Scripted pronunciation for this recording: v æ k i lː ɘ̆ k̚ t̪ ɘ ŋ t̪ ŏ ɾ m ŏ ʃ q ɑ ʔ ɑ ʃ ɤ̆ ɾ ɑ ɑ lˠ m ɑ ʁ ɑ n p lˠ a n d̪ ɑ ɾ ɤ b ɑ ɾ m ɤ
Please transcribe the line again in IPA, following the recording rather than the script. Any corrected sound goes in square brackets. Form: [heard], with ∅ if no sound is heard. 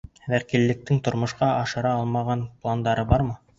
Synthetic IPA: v æ k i lː ɘ̆ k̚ t̪ ɘ ŋ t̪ ŏ ɾ m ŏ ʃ q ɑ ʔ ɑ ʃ ɤ̆ ɾ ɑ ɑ lˠ m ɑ ʁ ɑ n p lˠ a n d̪ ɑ ɾ ɤ b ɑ ɾ m ɤ